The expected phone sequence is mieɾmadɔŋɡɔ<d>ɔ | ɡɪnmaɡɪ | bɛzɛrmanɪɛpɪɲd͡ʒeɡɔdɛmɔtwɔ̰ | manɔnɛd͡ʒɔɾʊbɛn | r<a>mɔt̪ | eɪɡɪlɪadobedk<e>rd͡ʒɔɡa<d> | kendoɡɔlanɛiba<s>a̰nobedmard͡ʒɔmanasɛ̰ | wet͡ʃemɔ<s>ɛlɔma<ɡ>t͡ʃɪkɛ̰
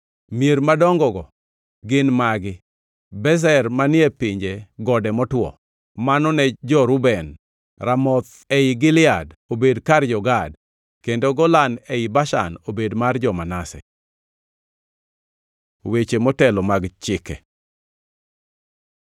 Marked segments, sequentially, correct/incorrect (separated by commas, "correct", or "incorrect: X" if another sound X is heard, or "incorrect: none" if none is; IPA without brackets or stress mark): incorrect: ɡ, correct, incorrect: a, correct, incorrect: ʃ, incorrect: t, correct